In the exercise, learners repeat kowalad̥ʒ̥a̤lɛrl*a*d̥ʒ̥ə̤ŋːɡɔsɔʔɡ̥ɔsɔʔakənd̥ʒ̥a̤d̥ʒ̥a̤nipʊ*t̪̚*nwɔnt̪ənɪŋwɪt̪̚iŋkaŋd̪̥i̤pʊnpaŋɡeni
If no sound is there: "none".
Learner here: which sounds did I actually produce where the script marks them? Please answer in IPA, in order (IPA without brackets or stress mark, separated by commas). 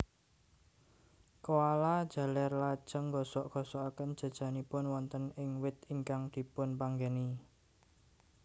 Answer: a, none